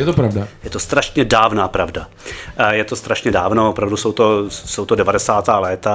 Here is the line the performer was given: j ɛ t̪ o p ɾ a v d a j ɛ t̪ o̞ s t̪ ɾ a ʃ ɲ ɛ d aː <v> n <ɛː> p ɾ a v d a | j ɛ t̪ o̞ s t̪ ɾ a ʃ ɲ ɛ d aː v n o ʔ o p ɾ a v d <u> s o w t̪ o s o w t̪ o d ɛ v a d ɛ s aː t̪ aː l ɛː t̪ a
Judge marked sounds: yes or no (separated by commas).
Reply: yes, no, yes